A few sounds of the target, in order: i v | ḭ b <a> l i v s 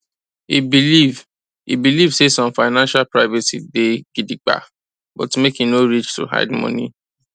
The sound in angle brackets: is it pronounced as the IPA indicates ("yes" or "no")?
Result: no